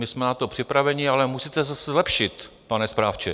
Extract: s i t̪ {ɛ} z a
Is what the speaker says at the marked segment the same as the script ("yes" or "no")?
yes